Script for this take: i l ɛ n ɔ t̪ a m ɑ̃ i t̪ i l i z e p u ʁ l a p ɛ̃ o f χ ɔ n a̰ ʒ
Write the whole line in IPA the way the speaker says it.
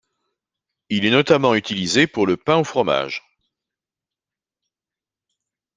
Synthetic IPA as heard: i l ɛ n ɔ t̪ a m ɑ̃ y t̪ i l i z e p u ʁ l ə p ɛ̃ o f χ ɔ m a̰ ʒ